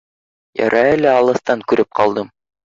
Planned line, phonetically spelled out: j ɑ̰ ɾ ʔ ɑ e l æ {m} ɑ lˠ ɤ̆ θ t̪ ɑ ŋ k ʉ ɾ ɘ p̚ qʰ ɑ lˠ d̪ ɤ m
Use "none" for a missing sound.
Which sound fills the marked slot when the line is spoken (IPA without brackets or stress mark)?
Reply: none